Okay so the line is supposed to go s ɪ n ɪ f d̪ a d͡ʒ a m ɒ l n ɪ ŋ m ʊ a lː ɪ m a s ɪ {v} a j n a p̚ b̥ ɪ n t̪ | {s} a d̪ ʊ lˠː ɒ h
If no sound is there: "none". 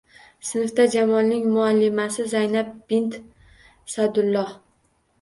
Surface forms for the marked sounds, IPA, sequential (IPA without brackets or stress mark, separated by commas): z, s